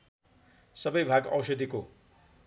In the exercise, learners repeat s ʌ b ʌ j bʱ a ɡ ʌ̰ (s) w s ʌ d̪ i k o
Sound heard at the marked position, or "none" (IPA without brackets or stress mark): none